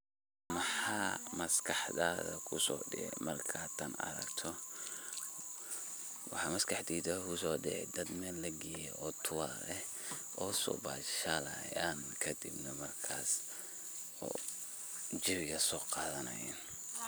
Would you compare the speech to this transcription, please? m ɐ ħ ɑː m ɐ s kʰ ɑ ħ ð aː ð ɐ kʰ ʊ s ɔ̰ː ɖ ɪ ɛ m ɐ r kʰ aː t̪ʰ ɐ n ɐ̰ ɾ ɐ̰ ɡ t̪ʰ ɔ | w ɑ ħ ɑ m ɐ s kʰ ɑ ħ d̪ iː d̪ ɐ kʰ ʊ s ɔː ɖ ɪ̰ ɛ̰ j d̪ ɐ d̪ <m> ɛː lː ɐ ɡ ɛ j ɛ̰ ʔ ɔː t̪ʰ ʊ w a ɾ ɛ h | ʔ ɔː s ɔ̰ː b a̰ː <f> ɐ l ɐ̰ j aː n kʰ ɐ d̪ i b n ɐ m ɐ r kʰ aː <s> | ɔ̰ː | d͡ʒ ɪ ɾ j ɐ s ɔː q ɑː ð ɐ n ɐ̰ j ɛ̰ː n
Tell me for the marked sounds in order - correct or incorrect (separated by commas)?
correct, incorrect, correct